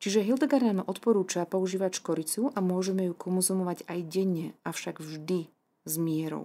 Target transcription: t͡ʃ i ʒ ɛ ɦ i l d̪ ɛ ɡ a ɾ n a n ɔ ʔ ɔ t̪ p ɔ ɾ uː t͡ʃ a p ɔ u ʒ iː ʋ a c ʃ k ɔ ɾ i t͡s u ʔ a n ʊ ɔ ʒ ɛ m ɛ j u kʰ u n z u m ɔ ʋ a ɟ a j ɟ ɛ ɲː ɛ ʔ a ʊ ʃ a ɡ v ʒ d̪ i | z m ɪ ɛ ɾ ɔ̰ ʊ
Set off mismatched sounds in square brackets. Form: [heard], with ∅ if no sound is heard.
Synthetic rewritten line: t͡ʃ i ʒ ɛ ɦ i l d̪ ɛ ɡ a ɾ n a n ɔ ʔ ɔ t̪ p ɔ ɾ uː t͡ʃ a p ɔ u ʒ iː ʋ a c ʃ k ɔ ɾ i t͡s u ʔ a [m] ʊ ɔ ʒ ɛ m ɛ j u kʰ [ɔ] n z u m ɔ ʋ a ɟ a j ɟ ɛ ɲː ɛ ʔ a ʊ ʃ a ɡ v ʒ d̪ i | z m ɪ ɛ ɾ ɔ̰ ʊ